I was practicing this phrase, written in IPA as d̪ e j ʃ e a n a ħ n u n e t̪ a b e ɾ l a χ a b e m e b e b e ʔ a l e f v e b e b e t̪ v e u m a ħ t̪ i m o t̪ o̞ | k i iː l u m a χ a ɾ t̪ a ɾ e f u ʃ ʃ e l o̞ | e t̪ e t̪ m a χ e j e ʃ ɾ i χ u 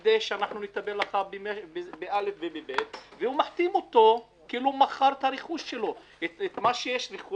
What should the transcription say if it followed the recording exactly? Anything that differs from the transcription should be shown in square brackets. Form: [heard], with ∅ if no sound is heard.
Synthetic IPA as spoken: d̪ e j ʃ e a n a ħ n u n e t̪ a b e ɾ l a χ a b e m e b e b e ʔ a l e f v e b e b e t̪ v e u m a ħ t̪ i m o t̪ o̞ | k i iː l u m a χ a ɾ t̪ a ɾ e [χ] u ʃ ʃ e l o̞ | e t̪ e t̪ m a [ʃ] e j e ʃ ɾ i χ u